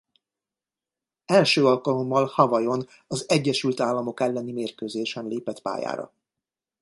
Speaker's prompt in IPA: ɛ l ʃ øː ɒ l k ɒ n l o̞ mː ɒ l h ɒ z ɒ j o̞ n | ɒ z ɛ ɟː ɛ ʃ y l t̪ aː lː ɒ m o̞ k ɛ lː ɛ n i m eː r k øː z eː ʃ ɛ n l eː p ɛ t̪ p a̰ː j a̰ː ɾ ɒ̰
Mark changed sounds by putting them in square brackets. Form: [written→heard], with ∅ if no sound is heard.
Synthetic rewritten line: ɛ l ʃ øː ɒ l k ɒ [n→∅] l o̞ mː ɒ l h ɒ [z→v] ɒ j o̞ n | ɒ z ɛ ɟː ɛ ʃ y l t̪ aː lː ɒ m o̞ k ɛ lː ɛ n i m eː r k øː z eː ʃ ɛ n l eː p ɛ t̪ p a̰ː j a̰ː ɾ ɒ̰

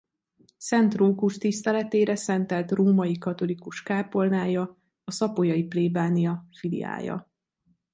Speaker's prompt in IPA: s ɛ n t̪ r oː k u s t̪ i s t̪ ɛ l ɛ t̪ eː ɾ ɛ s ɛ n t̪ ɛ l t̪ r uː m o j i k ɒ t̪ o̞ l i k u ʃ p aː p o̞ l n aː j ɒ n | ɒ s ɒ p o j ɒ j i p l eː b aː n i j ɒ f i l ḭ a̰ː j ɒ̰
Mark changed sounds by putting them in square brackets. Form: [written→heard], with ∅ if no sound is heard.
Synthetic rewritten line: s ɛ n t̪ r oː k u [s→ʃ] t̪ i s t̪ ɛ l ɛ t̪ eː ɾ ɛ s ɛ n t̪ ɛ l t̪ r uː m [o→ɒ] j i k ɒ t̪ o̞ l i k u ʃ [p→k] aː p o̞ l n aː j ɒ [n→∅] | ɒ s ɒ p o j ɒ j i p l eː b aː n i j ɒ f i l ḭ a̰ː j ɒ̰

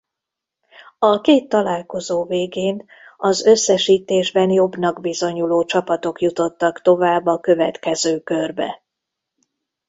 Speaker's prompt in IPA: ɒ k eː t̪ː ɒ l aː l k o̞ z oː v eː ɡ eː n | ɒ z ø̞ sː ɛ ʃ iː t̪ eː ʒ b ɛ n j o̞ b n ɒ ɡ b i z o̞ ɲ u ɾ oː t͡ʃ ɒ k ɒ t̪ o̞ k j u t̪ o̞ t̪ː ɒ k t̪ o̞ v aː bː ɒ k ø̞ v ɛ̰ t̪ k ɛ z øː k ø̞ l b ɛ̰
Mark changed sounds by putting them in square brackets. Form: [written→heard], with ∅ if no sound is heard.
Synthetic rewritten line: ɒ k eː t̪ː ɒ l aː l k o̞ z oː v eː ɡ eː n | ɒ z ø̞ sː ɛ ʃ iː t̪ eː ʒ b ɛ n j o̞ b n ɒ ɡ b i z o̞ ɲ u [ɾ→l] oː t͡ʃ ɒ [k→p] ɒ t̪ o̞ k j u t̪ o̞ t̪ː ɒ k t̪ o̞ v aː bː ɒ k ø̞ v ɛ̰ t̪ k ɛ z øː k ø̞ [l→r] b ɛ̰

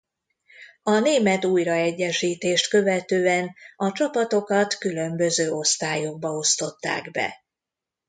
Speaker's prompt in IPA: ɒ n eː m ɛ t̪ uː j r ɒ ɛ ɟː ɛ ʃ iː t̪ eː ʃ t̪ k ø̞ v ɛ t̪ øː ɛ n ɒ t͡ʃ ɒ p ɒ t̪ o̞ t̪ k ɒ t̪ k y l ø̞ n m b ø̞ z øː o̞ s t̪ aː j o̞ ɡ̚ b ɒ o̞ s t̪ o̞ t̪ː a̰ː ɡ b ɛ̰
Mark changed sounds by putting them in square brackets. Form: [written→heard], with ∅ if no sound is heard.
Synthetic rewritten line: ɒ n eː m ɛ t̪ uː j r ɒ ɛ ɟː ɛ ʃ iː t̪ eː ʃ t̪ k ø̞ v ɛ t̪ øː ɛ n ɒ t͡ʃ ɒ p ɒ t̪ o̞ [t̪→∅] k ɒ t̪ k y l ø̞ [n→∅] m b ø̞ z øː o̞ s t̪ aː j o̞ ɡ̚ b ɒ o̞ s t̪ o̞ t̪ː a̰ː ɡ b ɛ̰

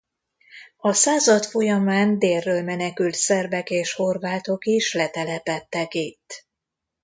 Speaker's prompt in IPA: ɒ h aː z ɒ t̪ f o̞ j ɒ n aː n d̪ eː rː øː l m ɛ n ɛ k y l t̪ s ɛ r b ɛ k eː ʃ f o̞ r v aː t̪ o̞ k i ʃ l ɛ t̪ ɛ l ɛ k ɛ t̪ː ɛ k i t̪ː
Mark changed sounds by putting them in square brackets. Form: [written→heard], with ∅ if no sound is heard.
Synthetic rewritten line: ɒ [h→s] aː z ɒ t̪ f o̞ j ɒ [n→m] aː n d̪ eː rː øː l m ɛ n ɛ k y l t̪ s ɛ r b ɛ k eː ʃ [f→h] o̞ r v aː t̪ o̞ k i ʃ l ɛ t̪ ɛ l ɛ [k→p] ɛ t̪ː ɛ k i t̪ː

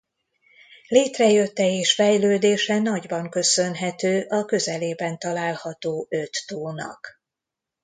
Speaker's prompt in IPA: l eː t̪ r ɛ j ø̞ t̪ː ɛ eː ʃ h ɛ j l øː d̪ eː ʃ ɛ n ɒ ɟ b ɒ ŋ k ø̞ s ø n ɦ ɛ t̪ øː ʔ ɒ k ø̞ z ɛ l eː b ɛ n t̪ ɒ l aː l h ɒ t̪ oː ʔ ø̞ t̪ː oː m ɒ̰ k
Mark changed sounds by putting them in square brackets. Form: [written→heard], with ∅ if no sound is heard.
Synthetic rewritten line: l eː t̪ r ɛ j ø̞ t̪ː ɛ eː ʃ [h→f] ɛ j l øː d̪ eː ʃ ɛ n ɒ ɟ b ɒ ŋ k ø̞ s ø n ɦ ɛ t̪ øː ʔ ɒ k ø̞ z ɛ l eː b ɛ n t̪ ɒ l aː l h ɒ t̪ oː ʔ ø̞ t̪ː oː [m→n] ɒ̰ k

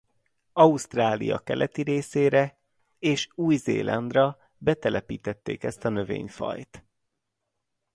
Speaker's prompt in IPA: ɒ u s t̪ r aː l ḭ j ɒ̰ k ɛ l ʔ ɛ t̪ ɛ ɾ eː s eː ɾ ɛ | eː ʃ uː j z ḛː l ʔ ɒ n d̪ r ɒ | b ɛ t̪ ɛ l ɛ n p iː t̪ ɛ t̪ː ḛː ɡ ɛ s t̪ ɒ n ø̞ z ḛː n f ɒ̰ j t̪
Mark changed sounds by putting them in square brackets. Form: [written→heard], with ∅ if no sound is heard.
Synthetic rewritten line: ɒ u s t̪ r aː l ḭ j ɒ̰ k ɛ l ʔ ɛ t̪ [ɛ→i] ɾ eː s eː ɾ ɛ | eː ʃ uː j z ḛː l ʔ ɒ n d̪ r ɒ | b ɛ t̪ ɛ l ɛ [n→∅] p iː t̪ ɛ t̪ː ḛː [ɡ→k] ɛ s t̪ ɒ n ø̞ [z→v] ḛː [n→ɲ] f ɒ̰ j t̪

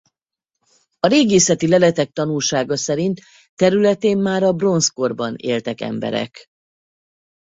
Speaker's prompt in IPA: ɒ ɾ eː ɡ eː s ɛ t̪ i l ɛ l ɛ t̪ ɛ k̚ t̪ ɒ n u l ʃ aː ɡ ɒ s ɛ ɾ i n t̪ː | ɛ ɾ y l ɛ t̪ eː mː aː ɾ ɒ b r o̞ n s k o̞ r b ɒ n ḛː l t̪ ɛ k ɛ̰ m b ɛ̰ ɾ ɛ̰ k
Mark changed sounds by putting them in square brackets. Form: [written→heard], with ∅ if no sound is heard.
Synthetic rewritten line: ɒ ɾ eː ɡ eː s ɛ t̪ i l ɛ l ɛ t̪ ɛ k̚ t̪ ɒ n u l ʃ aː ɡ ɒ s ɛ ɾ i n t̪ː | ɛ ɾ y l ɛ t̪ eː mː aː ɾ ɒ b r o̞ n s k o̞ r b ɒ n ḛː l t̪ ɛ k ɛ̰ m b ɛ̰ ɾ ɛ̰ k

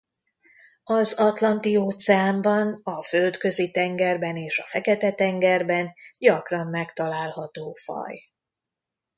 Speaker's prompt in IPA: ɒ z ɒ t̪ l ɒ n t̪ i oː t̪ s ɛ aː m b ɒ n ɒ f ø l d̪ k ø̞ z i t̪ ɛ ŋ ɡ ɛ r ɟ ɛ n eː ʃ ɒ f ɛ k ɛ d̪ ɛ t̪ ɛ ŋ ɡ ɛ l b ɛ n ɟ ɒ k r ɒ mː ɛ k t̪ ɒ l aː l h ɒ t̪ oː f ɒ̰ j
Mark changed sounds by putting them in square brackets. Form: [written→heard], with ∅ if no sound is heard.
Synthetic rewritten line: ɒ z ɒ t̪ l ɒ n t̪ i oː t̪ s ɛ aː m b ɒ n ɒ f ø l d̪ k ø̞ z i t̪ ɛ ŋ ɡ ɛ r [ɟ→b] ɛ n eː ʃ ɒ f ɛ k ɛ [d̪→t̪] ɛ t̪ ɛ ŋ ɡ ɛ [l→r] b ɛ n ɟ ɒ k r ɒ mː ɛ k t̪ ɒ l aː l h ɒ t̪ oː f ɒ̰ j

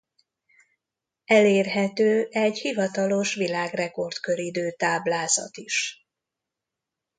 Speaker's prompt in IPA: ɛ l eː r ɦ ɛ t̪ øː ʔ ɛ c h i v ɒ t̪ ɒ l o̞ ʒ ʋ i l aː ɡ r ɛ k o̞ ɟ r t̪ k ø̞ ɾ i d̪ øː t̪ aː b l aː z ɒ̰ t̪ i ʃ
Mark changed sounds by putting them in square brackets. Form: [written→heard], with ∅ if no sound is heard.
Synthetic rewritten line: ɛ l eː r ɦ ɛ t̪ øː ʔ ɛ [c→ɟ] h i v ɒ t̪ ɒ l o̞ [ʒ→ʃ] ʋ i l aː ɡ r ɛ k o̞ [ɟ→∅] r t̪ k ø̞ ɾ i d̪ øː t̪ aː b l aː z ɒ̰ t̪ i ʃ

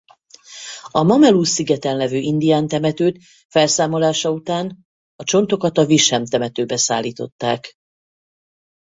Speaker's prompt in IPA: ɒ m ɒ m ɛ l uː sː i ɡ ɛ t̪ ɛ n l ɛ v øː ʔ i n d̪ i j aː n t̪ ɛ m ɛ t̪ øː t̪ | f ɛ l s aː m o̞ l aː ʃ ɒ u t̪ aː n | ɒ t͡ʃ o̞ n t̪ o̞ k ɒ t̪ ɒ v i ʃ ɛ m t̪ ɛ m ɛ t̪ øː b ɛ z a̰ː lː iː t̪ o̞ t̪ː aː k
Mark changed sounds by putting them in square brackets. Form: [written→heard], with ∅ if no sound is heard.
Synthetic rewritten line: ɒ m ɒ m ɛ l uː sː i ɡ ɛ t̪ ɛ n l ɛ v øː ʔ i n d̪ i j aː n t̪ ɛ m ɛ t̪ øː t̪ | f ɛ l s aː m o̞ l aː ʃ ɒ u t̪ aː n | ɒ t͡ʃ o̞ n t̪ o̞ k ɒ t̪ ɒ v i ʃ ɛ m t̪ ɛ m ɛ t̪ øː b ɛ [z→s] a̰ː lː iː t̪ o̞ t̪ː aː k

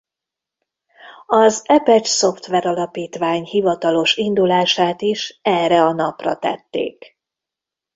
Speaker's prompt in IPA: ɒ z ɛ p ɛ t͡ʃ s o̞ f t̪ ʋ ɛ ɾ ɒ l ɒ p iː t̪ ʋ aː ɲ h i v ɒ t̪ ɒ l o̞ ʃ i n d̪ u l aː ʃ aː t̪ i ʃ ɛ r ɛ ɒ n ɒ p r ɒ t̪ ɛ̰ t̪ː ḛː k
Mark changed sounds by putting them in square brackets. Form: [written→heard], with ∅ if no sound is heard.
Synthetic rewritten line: ɒ z ɛ p ɛ t͡ʃ s o̞ f t̪ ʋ ɛ ɾ ɒ l ɒ p iː t̪ ʋ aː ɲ h i v ɒ t̪ ɒ l o̞ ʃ i n d̪ u l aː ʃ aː t̪ i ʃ ɛ r ɛ ɒ n ɒ p r ɒ t̪ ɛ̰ t̪ː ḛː k

